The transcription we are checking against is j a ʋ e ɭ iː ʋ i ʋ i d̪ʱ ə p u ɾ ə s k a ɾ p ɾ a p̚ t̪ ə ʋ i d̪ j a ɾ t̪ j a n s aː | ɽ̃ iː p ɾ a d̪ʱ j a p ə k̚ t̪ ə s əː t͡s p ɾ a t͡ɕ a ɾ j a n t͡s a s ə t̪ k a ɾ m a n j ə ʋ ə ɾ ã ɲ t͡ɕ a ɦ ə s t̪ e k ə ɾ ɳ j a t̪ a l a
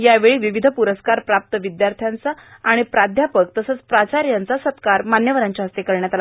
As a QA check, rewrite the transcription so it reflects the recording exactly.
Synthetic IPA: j a ʋ e ɭ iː ʋ i ʋ i d̪ʱ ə p u ɾ ə s k a ɾ p ɾ a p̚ t̪ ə ʋ i d̪ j a ɾ t̪ʰ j a n t͡s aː | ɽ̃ i p ɾ a d̪ʱ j a p ə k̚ t̪ ə s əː t͡s p ɾ a t͡ɕ a ɾ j a n t͡s a s ə t̪ k a ɾ m a n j ə ʋ ə ɾ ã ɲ t͡ɕ a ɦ ə s t̪ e k ə ɾ ɳ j a t̪ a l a